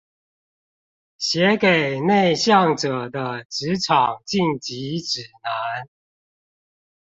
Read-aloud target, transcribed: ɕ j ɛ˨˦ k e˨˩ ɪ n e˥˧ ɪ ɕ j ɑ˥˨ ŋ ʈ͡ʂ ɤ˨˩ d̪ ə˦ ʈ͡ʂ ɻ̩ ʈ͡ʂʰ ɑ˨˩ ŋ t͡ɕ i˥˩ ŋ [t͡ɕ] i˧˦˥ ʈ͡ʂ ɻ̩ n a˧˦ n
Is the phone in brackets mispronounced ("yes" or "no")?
no